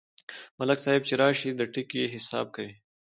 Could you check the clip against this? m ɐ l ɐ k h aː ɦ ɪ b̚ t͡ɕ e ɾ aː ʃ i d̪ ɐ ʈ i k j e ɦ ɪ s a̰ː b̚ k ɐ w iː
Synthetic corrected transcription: m ɐ l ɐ k s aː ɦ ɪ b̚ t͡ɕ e ɾ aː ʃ i d̪ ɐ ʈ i k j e ɦ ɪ s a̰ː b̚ k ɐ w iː

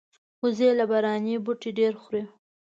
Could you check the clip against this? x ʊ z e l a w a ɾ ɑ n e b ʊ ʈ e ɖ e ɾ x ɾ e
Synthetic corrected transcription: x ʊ z e l a b a ɾ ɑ n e b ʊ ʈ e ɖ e ɾ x ɾ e

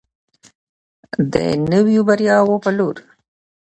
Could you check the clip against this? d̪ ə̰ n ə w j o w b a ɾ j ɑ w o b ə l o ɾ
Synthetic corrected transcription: d̪ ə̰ n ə w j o b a ɾ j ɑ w o p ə l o ɾ

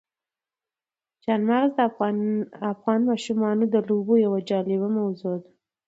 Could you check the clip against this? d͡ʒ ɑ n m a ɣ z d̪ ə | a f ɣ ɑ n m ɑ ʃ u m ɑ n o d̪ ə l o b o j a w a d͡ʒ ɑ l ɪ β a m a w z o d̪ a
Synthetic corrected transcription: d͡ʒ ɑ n m a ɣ z d̪ ə | a f ɣ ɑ n m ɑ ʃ u m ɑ n o d̪ ə l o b o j a w a d͡ʒ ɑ l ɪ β a m a w z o d̪ a

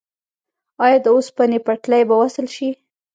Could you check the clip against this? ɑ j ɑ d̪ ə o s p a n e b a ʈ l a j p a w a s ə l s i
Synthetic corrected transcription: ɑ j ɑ d̪ ə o s p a n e p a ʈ l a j b a w a s ə l ʃ i

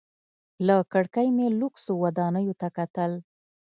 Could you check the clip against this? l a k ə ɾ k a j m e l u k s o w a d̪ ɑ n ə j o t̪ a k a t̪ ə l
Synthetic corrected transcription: l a k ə ɽ k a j m e l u k s o w a d̪ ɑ n ə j o t̪ a k a t̪ ə l

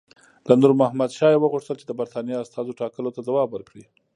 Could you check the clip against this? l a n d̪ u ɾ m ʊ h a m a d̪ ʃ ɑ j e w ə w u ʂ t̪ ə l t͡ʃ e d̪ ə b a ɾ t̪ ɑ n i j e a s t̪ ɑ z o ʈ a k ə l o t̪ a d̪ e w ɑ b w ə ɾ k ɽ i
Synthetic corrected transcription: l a n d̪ u ɾ m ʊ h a m a d̪ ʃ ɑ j e w ə ɣ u ʂ t̪ ə l t͡ʃ e d̪ ə b a ɾ t̪ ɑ n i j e a s t̪ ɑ z o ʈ ɑ k ə l o t̪ a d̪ a w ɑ b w ə ɾ k ɽ i

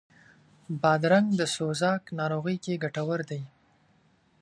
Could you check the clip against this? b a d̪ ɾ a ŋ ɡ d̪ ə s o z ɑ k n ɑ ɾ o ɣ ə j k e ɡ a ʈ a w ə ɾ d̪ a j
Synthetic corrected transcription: b ɑ d̪ ɾ a ŋ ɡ d̪ ə s o z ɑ k n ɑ ɾ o ɣ ə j k e ɡ a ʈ a w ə ɾ d̪ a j

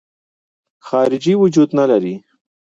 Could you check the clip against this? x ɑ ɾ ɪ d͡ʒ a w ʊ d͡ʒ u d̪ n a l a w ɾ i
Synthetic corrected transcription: x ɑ ɾ ɪ d͡ʒ i w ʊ d͡ʒ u d̪ n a l a ɾ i

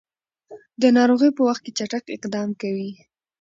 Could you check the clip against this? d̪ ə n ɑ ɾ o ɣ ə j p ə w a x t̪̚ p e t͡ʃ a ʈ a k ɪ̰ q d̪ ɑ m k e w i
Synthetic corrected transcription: d̪ ə n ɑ ɾ o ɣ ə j p ə w a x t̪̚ k e t͡ʃ a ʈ a k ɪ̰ q d̪ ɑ m k a w i

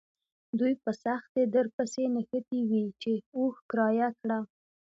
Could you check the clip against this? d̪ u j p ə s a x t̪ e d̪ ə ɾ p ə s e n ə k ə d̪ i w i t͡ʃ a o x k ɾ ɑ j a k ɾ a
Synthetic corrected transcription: d̪ u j p ə s a x t̪ e d̪ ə ɾ p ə s e n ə x ə t̪ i w i t͡ʃ e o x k ɾ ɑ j a k ɽ a

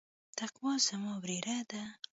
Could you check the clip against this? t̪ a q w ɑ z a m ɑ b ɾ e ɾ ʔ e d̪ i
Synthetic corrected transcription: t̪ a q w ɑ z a m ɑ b ɾ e ɾ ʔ a d̪ a

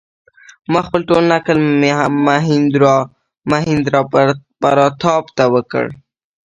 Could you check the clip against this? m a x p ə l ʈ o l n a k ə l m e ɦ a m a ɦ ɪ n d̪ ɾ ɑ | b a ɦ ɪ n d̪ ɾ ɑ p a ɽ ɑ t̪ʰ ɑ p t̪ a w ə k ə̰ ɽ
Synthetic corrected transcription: m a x p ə l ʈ o l n a k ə l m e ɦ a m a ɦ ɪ n d̪ ɾ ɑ | m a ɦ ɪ n d̪ ɾ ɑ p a ɾ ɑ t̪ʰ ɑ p t̪ a w ə k ə̰ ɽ

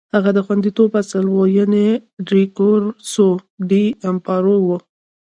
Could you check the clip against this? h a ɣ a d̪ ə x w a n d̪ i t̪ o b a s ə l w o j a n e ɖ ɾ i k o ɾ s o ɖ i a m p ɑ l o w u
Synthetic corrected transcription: h a ɣ a d̪ ə x w a n d̪ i t̪ o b a s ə l w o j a n e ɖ ɾ i k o ɾ s o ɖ i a m p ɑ ɾ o w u

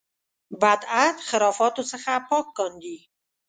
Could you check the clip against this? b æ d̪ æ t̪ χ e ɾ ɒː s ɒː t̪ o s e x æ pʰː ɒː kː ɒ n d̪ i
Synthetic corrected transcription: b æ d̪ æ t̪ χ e ɾ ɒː f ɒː t̪ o s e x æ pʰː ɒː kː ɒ n d̪ i

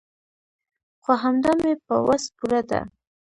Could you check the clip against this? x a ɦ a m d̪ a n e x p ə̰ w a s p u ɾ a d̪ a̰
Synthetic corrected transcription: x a ɦ a m d̪ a m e p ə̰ w a s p u ɾ a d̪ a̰

